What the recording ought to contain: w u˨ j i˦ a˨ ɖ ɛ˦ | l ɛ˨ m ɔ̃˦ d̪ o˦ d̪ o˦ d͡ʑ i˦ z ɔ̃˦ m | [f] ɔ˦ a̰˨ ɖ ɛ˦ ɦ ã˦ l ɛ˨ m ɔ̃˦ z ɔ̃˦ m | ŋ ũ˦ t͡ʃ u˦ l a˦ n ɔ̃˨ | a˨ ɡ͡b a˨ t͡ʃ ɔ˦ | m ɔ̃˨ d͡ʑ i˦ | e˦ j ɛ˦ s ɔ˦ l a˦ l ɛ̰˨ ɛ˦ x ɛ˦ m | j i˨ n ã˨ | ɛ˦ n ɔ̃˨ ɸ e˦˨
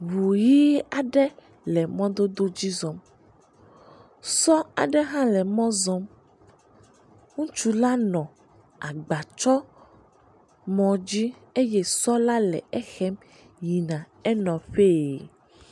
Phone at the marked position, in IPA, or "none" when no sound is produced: s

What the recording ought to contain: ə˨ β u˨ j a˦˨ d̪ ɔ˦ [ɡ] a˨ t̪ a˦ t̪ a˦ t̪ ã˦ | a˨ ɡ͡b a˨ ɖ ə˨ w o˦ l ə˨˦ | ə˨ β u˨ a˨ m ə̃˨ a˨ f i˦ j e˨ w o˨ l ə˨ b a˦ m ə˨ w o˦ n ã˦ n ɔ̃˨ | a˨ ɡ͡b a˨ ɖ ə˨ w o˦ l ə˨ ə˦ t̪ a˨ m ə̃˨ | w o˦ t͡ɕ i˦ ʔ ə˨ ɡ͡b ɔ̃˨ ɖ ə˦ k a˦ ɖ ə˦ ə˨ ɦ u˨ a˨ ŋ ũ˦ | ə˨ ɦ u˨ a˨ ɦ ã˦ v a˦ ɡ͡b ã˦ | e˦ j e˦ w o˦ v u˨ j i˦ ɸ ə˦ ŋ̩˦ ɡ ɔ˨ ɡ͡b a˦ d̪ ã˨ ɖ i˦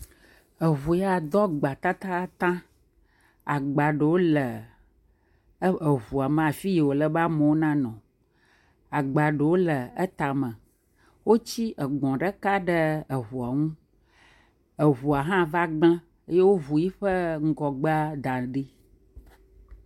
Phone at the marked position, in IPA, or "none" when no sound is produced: ɡ͡b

